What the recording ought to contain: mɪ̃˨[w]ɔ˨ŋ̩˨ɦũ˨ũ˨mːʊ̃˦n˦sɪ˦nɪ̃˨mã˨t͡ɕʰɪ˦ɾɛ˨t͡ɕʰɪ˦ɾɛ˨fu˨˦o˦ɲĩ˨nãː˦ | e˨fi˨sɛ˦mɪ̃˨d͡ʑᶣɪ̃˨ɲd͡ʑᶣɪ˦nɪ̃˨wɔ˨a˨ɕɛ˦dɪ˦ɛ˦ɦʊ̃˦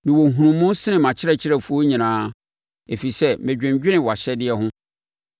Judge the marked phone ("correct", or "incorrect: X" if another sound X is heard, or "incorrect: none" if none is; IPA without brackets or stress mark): correct